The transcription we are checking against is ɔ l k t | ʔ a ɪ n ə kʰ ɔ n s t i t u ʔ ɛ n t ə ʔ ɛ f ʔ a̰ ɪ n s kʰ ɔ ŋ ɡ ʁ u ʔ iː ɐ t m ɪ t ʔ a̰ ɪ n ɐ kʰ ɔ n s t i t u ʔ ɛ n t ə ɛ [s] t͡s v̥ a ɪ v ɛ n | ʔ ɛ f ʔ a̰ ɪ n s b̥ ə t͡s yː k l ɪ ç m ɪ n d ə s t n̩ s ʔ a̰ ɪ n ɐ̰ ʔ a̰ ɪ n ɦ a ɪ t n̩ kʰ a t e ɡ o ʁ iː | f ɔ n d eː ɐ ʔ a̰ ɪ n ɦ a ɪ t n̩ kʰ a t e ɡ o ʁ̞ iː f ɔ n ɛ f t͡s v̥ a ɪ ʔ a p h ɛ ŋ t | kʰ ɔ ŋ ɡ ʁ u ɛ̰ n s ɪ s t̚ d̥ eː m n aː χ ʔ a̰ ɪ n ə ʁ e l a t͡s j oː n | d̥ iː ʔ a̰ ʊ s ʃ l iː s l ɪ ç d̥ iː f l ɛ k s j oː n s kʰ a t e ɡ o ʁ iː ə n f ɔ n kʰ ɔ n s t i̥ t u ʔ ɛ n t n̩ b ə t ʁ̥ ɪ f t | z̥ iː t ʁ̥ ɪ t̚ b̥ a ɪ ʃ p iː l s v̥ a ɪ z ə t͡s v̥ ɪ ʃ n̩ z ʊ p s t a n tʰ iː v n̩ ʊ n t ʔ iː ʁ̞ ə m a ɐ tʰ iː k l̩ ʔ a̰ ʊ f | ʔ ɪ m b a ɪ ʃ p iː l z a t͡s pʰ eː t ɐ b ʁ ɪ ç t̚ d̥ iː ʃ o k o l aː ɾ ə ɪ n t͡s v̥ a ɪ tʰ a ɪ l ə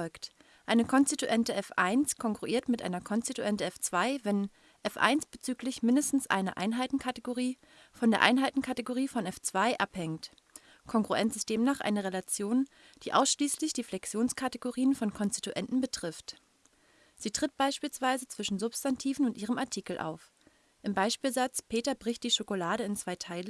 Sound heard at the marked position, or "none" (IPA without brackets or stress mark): f